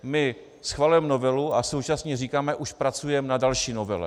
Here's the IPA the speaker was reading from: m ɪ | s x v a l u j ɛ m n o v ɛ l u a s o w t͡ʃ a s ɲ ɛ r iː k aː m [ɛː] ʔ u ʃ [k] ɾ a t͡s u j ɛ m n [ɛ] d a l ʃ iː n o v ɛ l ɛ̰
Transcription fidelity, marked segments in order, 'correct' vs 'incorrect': incorrect: ɛ, incorrect: p, incorrect: a

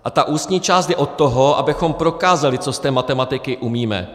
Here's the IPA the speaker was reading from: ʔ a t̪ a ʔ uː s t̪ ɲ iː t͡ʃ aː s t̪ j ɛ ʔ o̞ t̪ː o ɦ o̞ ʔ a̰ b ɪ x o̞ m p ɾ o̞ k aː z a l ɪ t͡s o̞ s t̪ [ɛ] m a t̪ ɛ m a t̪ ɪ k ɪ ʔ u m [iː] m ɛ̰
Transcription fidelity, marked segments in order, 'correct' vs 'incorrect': incorrect: ɛː, correct

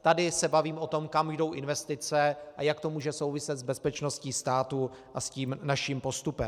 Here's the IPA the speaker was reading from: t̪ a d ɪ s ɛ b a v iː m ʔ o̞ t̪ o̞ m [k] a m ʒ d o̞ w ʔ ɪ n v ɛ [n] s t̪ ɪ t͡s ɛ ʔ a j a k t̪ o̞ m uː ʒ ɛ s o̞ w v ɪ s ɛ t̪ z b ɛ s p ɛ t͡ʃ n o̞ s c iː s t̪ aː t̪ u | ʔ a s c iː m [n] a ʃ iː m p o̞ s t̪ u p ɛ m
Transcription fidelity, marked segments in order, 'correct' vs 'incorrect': correct, incorrect: none, correct

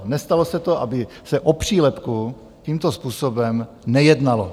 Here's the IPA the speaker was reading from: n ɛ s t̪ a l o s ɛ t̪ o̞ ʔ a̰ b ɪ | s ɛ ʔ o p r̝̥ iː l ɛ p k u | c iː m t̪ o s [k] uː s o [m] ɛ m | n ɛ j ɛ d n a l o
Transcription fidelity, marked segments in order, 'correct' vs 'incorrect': incorrect: p, incorrect: b

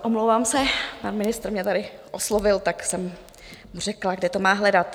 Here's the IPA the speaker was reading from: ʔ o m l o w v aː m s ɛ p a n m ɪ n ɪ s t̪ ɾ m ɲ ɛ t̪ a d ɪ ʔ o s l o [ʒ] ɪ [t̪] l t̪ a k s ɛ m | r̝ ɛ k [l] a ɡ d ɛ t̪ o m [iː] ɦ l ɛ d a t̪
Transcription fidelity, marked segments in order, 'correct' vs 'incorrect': incorrect: v, incorrect: none, correct, incorrect: aː

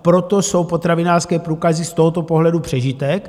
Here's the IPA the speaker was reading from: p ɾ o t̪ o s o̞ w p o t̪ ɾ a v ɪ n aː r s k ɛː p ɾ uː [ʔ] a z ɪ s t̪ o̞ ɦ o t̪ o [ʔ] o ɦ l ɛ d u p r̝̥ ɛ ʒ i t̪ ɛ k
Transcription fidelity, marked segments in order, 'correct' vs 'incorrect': incorrect: k, incorrect: p

